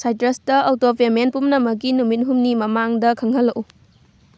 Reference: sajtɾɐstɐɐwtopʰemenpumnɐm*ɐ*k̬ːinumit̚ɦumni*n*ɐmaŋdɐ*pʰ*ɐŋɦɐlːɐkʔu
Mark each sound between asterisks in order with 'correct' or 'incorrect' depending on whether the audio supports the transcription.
correct, incorrect: m, incorrect: kʰ

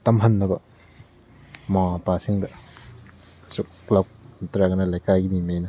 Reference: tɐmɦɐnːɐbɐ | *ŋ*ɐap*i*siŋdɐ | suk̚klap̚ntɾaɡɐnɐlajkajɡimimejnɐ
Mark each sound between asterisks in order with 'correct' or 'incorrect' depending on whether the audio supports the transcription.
incorrect: m, incorrect: a

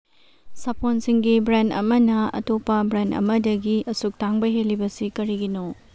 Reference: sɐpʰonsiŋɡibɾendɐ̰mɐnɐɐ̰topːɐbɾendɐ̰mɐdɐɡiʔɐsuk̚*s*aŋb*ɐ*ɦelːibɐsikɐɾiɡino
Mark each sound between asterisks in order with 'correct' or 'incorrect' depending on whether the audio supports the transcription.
incorrect: t, correct

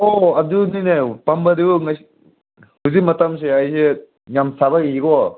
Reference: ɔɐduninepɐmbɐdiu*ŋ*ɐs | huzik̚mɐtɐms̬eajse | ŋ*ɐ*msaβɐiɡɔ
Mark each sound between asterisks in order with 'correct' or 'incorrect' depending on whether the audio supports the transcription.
correct, incorrect: a

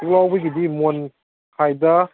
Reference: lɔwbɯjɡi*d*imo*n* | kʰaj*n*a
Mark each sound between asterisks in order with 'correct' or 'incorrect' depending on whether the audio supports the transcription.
correct, correct, incorrect: d

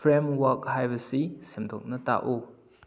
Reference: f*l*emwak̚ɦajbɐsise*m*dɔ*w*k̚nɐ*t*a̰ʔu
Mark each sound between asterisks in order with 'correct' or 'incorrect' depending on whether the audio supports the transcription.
incorrect: ɾ, correct, incorrect: none, correct

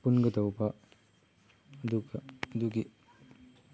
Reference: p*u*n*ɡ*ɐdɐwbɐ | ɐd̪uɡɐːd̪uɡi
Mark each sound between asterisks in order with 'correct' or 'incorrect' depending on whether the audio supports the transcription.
correct, correct

